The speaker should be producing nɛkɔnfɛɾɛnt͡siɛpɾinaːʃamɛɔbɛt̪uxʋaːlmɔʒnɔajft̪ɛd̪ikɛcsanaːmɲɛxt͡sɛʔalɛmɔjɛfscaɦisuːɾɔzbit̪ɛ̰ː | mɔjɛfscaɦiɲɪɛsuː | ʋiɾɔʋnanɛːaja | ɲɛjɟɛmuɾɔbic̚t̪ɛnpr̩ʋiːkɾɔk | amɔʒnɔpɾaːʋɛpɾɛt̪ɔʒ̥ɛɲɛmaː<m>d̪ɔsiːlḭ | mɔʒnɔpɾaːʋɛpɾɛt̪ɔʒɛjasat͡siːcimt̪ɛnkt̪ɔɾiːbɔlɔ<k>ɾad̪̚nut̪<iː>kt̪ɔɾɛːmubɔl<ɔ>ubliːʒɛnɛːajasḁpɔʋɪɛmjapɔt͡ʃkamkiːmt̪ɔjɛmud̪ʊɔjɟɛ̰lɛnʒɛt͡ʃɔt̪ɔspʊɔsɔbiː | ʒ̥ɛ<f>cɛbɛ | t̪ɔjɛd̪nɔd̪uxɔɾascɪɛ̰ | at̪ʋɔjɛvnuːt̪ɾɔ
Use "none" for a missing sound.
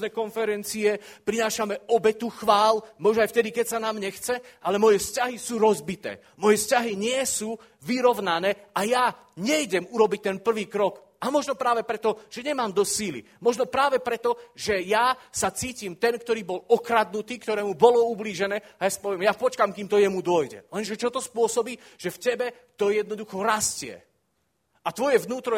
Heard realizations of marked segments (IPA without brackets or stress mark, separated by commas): m, k, iː, ɔ, f